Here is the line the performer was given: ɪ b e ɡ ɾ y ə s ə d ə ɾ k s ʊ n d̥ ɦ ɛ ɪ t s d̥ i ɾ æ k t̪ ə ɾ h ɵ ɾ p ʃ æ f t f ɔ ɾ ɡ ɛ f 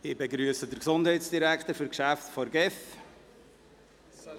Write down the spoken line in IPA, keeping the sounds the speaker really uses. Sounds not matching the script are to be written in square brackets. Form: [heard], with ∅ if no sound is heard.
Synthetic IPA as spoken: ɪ b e ɡ ɾ y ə s ə d ə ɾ k s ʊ n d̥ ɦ ɛ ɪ t s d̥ i ɾ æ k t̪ ə ɾ [f] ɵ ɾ [k] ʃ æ f t f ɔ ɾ ɡ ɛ f

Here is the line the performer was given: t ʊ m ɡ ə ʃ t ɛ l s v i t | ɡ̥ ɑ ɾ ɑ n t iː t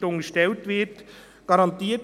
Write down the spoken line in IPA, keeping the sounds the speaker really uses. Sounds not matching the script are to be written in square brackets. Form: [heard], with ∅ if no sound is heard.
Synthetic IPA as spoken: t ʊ [ŋ] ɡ ə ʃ t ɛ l [t] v [ɪ] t | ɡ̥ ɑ ɾ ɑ n t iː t

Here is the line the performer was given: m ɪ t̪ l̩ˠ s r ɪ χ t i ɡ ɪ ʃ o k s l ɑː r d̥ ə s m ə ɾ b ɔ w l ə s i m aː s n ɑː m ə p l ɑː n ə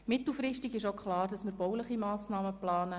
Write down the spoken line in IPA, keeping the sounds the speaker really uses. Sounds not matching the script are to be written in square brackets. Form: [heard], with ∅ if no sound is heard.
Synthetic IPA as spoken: m ɪ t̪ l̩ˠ [f] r ɪ [ʃ] t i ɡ ɪ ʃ o k [χ] l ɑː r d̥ [ɑ] s m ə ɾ b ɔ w l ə [χ] i m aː s n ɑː m ə p l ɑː n ə

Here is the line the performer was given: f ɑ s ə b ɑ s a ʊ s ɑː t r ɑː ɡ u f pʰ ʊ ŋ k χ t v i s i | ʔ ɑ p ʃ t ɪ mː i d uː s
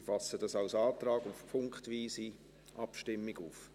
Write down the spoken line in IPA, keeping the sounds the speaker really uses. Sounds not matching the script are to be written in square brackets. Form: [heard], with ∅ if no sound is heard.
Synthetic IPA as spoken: f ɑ s ə [d] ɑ s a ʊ s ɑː t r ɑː ɡ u f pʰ ʊ ŋ k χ t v [iː] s i | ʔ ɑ p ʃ t ɪ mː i [ɡ] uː [f]

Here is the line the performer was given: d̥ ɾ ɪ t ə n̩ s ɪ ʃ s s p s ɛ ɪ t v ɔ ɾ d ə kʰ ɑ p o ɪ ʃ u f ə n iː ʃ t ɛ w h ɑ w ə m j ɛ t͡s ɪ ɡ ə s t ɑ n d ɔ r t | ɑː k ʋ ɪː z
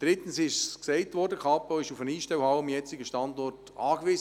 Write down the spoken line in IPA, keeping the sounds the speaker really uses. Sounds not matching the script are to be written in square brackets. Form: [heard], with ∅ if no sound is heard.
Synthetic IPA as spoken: d̥ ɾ ɪ t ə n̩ s ɪ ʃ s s [k] s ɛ ɪ t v ɔ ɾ d ə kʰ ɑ p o ɪ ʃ u f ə n iː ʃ t ɛ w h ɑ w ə m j ɛ t͡s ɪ ɡ ə [ʃ] t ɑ n d ɔ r t | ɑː k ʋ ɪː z

